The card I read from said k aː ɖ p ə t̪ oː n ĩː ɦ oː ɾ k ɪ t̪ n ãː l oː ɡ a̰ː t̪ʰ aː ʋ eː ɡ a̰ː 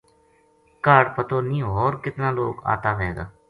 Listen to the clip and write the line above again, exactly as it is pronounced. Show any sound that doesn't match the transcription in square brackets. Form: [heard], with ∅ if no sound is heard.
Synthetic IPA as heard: k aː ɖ p ə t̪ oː n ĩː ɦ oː ɾ k ɪ t̪ n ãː l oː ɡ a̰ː [t̪] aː ʋ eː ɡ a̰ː